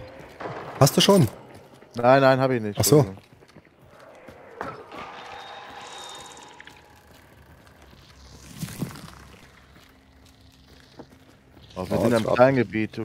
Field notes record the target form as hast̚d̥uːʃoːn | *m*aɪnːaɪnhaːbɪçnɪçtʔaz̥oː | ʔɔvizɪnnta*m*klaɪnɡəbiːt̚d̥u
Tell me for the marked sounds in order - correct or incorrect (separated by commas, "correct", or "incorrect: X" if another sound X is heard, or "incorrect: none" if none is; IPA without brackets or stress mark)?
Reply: incorrect: n, correct